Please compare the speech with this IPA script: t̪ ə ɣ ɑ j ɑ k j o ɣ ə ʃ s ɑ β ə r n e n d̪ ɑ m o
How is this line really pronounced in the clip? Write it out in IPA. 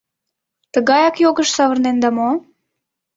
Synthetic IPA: t̪ ə ɣ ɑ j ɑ k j o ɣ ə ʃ s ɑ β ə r n e n d̪ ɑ m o